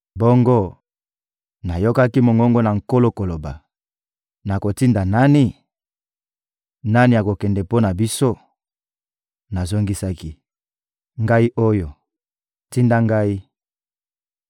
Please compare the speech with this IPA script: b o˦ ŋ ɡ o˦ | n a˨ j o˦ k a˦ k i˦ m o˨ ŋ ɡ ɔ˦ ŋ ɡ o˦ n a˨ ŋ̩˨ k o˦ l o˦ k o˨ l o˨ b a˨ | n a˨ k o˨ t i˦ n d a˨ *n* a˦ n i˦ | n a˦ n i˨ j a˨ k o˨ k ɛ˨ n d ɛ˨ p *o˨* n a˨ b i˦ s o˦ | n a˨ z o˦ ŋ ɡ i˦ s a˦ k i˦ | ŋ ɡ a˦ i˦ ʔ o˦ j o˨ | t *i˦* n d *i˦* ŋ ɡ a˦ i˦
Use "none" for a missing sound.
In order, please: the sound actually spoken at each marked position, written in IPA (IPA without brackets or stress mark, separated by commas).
n, o˦, i˦, a˦